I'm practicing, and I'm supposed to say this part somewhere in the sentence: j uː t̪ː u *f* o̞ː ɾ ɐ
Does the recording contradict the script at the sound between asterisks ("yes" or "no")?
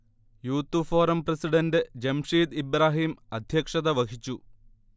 no